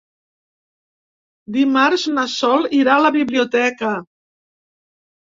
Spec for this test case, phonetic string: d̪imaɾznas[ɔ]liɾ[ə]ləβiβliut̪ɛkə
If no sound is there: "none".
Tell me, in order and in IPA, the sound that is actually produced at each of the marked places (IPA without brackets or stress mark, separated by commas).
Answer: ɔ, a